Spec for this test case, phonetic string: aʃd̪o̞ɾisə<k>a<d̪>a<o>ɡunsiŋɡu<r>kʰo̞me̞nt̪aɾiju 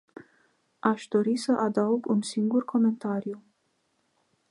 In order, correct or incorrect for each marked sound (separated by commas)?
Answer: incorrect, correct, incorrect, correct